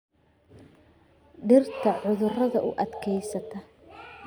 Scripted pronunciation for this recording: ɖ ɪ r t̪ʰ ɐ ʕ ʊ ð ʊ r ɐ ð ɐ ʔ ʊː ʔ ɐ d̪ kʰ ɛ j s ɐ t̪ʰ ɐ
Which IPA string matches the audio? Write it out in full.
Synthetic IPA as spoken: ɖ ɪ r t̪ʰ ɐ ʕ ʊ ð ʊ r ɐ ð ɐ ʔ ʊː ʔ ɐ d̪ kʰ ɛ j s ɐ t̪ʰ ɐ

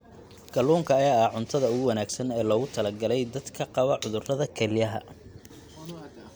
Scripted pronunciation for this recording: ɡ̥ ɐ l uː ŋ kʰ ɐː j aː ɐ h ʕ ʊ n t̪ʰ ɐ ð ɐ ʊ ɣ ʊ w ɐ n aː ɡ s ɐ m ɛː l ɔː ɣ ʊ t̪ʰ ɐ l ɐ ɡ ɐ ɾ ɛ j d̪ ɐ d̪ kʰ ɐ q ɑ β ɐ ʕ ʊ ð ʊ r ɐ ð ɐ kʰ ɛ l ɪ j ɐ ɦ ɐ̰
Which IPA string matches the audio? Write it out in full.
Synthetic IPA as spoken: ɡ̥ ɐ l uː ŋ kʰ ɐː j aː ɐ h ʕ ʊ n t̪ʰ ɐ ð ɐ ʊ ɣ ʊ w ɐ n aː ɡ s ɐ n ɛː l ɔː ɣ ʊ t̪ʰ ɐ l ɐ ɡ ɐ l ɛ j d̪ ɐ d̪ kʰ ɐ q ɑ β ɐ ʕ ʊ ð ʊ r ɐ ð ɐ kʰ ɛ l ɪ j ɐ ɦ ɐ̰

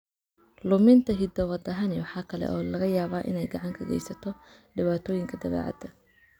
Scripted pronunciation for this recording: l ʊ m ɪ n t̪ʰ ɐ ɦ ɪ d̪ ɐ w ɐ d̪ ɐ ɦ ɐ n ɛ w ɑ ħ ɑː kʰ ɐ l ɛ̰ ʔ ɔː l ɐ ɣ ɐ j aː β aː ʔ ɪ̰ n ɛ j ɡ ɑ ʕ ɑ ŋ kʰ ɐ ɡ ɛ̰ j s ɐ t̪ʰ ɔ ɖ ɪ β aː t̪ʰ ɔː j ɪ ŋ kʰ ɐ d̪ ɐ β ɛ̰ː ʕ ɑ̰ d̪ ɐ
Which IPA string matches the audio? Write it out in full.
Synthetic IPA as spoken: l ʊ m ɪ n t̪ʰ ɐ ɦ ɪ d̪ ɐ w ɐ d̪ ɐ ɦ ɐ n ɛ w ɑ ħ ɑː kʰ ɐ l ɛ̰ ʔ ɔː l ɐ ɣ ɐ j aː β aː ʔ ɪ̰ n ɛ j ɡ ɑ ʕ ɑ ŋ kʰ ɐ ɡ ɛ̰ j s ɐ t̪ʰ ɔ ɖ ɪ β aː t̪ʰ ɔː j ɪ ŋ kʰ ɐ d̪ ɐ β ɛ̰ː ʕ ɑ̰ d̪ ɐ

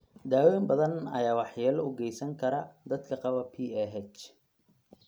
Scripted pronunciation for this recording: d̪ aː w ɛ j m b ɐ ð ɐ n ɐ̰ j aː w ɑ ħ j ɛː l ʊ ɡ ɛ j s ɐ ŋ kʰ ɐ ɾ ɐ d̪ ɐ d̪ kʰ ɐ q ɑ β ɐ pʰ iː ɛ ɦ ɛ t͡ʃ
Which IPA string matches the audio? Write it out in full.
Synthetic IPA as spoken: d̪ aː w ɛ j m b ɐ ð ɐ n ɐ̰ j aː w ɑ ħ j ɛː l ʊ ɡ ɛ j s ɐ ŋ kʰ ɐ ɾ ɐ d̪ ɐ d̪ kʰ ɐ q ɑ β ɐ pʰ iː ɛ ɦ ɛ t͡ʃ

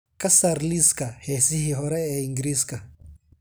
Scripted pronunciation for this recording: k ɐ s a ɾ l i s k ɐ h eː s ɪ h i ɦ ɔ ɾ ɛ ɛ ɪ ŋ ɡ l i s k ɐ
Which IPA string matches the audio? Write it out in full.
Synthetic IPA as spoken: k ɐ s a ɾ l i s k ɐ h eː s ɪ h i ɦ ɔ ɾ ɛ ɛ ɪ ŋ ɡ ɾ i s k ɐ

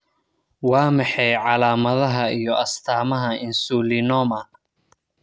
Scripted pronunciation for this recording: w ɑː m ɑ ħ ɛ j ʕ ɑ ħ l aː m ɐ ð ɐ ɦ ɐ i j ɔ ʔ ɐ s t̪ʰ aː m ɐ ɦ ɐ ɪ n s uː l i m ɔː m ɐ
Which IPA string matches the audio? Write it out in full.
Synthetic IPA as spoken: w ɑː m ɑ ħ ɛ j ʕ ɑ l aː m ɐ ð ɐ ɦ ɐ i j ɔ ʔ ɐ s t̪ʰ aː m ɐ ɦ ɐ ɪ n s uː l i n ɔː m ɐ

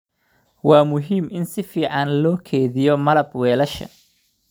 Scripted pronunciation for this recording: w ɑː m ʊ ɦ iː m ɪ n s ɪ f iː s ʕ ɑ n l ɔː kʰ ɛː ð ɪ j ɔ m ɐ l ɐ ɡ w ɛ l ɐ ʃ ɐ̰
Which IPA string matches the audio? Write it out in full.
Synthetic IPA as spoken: w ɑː m ʊ ɦ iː m ɪ n s ɪ f iː ʕ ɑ n l ɔː kʰ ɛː ð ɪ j ɔ m ɐ l ɐ b w ɛː l ɐ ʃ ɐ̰

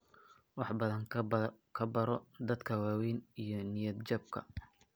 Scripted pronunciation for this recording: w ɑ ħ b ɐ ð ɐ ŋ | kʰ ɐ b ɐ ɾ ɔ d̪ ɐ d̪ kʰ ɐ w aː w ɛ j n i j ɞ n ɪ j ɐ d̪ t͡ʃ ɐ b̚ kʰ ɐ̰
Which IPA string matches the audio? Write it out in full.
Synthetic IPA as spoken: w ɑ ħ b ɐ ð ɐ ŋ | kʰ ɐ b ɐ ɾ ɔ d̪ ɐ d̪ kʰ ɐ w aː w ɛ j n i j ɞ n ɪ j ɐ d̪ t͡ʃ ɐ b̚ kʰ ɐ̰

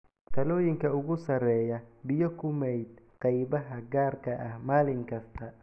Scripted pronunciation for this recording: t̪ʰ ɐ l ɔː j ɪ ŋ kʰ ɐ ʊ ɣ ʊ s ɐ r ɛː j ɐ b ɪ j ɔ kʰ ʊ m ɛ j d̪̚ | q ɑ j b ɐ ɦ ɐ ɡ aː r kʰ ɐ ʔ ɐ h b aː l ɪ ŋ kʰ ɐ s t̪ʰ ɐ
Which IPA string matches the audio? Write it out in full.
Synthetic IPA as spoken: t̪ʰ ɐ l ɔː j ɪ ŋ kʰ ɐ ʊ ɣ ʊ s ɐ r ɛː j ɐ b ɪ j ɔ kʰ ʊ m ɛ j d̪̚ | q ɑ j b ɐ ɦ ɐ ɡ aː r kʰ ɐ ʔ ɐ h m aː l ɪ ŋ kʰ ɐ s t̪ʰ ɐ

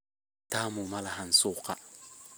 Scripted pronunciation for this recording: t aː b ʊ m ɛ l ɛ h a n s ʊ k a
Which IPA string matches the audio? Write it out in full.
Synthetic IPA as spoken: t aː m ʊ m a l a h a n s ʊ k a

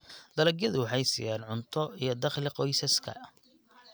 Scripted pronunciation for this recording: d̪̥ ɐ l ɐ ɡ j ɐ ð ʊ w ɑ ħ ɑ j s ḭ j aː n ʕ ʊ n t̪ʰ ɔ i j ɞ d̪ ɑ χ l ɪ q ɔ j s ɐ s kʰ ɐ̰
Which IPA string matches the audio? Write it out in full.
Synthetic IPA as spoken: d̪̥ ɐ l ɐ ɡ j ɐ ð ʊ w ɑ ħ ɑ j s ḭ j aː n ʕ ʊ n t̪ʰ ɔ i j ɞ d̪ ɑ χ l ɪ q ɔ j s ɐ s kʰ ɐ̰

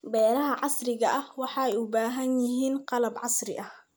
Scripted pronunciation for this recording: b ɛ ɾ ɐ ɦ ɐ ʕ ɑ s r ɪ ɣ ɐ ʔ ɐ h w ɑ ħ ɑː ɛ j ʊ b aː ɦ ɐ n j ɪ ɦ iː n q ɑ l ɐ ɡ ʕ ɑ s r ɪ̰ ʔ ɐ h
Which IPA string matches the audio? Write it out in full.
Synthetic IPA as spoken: b ɛː ɾ ɐ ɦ ɐ ʕ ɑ s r ɪ ɣ ɐ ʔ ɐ h w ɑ ħ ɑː ɛ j ʊ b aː ɦ ɐ n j ɪ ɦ iː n q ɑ l ɐ b ʕ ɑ s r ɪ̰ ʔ ɐ h

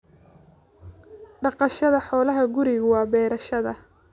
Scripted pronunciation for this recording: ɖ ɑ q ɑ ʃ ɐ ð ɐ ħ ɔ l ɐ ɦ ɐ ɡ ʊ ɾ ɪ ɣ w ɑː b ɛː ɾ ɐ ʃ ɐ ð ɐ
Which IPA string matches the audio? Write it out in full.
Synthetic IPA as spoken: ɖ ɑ q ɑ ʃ ɐ ð ɐ ħ ɔː l ɐ ɦ ɐ ɡ ʊ ɾ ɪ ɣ w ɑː b ɛː ɾ ɐ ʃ ɐ ð ɐ

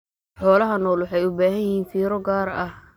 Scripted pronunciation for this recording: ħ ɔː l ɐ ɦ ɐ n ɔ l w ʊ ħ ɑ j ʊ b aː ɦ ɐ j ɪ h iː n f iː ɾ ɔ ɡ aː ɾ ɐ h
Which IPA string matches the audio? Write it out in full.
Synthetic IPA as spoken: ħ ɔː l ɐ ɦ ɐ n ɔː l w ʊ ħ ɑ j ʊ b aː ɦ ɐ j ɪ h iː n f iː ɾ ɔ ɡ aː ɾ ɐ h

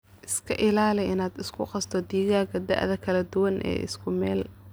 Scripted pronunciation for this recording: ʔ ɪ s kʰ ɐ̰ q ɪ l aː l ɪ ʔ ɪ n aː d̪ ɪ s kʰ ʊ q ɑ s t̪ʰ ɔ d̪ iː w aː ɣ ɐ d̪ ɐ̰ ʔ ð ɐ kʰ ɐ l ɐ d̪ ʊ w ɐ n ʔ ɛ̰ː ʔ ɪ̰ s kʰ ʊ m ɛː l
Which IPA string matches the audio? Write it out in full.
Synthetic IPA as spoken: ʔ ɪ s kʰ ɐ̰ ʔ ɪ l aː l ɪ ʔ ɪ n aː d̪ ɪ s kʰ ʊ q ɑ s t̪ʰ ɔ d̪ iː ɣ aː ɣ ɐ d̪ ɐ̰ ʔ ð ɐ kʰ ɐ l ɐ d̪ ʊ w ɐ n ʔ ɛ̰ː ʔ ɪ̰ s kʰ ʊ m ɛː l

